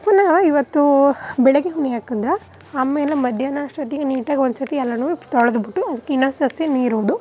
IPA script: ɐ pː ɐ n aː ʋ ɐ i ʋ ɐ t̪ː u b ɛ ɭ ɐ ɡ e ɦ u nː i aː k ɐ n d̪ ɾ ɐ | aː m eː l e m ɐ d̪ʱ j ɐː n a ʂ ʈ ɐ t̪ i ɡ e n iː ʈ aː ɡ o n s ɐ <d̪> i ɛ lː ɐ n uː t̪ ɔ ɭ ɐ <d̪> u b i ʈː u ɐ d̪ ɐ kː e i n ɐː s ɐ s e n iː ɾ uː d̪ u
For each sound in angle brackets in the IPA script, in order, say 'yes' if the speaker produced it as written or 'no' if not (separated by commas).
no, yes